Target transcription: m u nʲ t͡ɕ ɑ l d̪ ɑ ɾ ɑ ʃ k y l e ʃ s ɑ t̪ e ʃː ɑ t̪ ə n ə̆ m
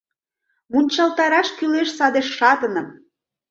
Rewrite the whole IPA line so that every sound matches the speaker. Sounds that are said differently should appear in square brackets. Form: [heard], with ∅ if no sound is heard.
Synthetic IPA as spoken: m u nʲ t͡ɕ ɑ l [t̪] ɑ ɾ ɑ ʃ k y l e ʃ s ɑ [d̪] e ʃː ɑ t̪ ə n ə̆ m